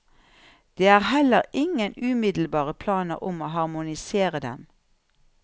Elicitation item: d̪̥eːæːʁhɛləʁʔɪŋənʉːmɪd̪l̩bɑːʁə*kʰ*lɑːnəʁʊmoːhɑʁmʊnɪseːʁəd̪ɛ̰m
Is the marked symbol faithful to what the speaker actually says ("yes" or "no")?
no